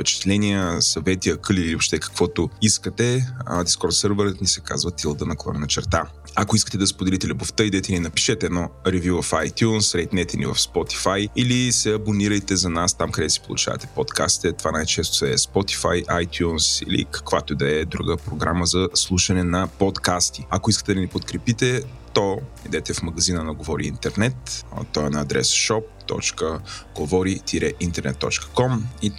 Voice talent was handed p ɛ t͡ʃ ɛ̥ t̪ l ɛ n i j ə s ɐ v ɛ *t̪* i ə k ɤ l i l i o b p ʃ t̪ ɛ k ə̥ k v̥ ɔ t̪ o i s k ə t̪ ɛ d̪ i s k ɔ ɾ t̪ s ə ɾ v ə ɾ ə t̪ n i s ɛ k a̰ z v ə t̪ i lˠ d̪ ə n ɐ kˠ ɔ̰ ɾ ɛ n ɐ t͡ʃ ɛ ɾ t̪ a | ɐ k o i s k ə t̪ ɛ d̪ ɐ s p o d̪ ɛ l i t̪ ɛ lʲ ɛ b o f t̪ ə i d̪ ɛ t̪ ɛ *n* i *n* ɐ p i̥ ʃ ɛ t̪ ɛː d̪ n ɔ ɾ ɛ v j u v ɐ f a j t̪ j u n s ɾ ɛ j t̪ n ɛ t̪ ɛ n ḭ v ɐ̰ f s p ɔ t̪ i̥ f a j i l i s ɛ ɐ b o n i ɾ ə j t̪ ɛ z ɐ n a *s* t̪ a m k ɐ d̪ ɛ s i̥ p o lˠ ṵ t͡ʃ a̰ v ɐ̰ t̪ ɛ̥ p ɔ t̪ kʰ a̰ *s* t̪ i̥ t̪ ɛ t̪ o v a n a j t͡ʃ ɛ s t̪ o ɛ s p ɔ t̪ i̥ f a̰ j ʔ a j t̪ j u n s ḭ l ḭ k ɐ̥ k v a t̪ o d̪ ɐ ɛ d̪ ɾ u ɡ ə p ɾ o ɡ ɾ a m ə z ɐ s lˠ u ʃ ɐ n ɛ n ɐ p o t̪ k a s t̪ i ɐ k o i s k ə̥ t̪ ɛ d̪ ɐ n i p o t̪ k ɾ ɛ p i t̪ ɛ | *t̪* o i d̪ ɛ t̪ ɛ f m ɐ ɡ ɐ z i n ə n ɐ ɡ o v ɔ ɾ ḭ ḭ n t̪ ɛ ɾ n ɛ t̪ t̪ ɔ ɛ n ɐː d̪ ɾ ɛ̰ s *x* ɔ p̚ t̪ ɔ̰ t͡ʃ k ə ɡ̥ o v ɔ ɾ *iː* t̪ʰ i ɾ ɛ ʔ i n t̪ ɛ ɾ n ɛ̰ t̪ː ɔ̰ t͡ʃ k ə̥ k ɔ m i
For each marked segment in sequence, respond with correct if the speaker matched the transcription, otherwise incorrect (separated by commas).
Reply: correct, correct, correct, correct, correct, correct, incorrect, incorrect